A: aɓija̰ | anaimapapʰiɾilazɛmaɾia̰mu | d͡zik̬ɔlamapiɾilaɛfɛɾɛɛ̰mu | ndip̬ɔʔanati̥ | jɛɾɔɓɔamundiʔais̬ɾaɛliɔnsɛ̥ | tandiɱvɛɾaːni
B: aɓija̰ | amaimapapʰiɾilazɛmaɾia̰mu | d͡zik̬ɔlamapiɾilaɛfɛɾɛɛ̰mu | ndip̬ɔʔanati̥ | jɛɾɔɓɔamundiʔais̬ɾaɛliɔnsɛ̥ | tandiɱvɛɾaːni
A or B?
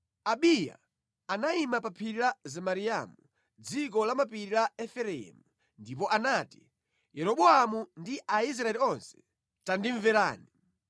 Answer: A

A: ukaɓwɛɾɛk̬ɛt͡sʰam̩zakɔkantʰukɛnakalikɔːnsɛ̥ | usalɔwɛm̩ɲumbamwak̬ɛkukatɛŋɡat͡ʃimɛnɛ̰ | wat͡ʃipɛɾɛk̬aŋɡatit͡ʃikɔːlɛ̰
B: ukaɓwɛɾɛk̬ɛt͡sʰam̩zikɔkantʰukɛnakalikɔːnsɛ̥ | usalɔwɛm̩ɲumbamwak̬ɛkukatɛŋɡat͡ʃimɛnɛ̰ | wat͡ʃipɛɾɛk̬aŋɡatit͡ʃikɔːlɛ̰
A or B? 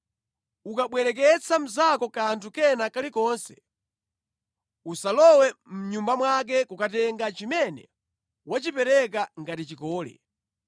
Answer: A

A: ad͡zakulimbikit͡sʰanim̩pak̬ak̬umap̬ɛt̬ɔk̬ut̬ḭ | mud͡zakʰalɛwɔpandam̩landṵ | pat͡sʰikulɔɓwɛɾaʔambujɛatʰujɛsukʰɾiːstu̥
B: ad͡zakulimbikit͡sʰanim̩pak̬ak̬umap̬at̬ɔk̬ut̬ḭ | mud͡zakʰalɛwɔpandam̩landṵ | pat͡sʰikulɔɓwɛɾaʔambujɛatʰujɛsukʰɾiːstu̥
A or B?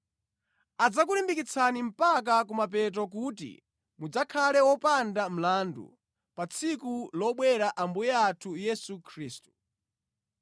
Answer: A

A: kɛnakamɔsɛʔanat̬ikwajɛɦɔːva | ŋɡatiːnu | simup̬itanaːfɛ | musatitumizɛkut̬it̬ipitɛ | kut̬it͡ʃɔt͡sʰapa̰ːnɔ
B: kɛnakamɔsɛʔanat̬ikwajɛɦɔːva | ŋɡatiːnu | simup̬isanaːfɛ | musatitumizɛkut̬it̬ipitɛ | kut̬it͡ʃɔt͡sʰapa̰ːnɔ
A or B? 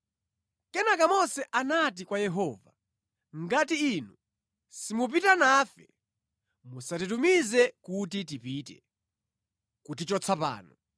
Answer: A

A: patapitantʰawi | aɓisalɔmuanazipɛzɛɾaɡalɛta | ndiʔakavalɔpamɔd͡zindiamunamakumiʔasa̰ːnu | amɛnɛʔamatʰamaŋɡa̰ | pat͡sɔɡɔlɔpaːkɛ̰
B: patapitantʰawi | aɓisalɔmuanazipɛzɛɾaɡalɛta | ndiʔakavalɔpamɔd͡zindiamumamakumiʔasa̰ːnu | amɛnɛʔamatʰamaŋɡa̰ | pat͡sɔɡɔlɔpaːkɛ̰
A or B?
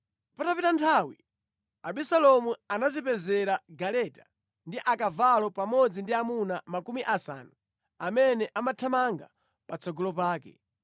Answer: A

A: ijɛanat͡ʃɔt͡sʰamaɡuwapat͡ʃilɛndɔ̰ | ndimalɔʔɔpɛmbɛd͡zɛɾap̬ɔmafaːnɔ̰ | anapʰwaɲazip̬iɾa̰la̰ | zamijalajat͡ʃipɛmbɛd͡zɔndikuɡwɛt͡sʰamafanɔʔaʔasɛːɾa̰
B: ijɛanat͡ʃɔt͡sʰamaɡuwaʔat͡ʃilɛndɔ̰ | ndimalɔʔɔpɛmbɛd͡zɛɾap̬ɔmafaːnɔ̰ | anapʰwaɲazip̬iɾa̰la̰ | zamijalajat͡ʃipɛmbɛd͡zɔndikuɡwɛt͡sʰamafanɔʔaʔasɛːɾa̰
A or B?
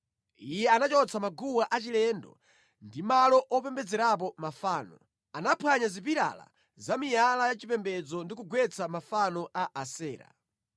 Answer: B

